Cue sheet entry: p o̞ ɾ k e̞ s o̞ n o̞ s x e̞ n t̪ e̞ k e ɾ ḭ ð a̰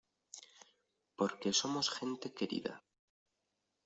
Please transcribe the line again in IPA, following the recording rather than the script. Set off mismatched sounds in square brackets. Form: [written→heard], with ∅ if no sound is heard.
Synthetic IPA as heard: p o̞ ɾ k e̞ s o̞ [n→m] o̞ s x e̞ n t̪ e̞ k e ɾ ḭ ð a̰